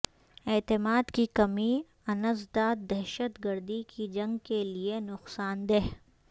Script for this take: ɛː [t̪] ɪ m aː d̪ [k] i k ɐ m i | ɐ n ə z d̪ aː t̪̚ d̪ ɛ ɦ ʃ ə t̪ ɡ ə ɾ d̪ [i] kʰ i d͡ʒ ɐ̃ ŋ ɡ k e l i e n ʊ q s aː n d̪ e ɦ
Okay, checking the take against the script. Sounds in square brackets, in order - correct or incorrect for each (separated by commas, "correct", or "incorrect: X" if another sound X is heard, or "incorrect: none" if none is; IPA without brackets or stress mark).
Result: correct, correct, correct